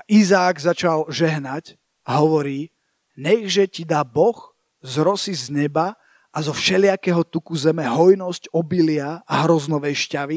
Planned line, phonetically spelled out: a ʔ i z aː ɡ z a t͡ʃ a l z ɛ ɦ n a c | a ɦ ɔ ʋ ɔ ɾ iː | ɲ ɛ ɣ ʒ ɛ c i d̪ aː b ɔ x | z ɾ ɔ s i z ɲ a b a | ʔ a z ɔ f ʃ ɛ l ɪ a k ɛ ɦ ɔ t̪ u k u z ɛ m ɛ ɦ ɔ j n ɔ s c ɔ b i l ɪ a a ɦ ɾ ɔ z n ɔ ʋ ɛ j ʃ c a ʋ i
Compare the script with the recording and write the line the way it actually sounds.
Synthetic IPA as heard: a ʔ i z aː ɡ z a t͡ʃ a l ʒ ɛ ɦ n a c | a ɦ ɔ ʋ ɔ ɾ iː | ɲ ɛ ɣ ʒ ɛ c i d̪ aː b ɔ x | z ɾ ɔ s i z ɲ ɛ b a | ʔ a z ɔ f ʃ ɛ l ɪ a k ɛ ɦ ɔ t̪ u k u z ɛ m ɛ ɦ ɔ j n ɔ s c ɔ b i l ɪ a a ɦ ɾ ɔ z n ɔ ʋ ɛ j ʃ c a ʋ i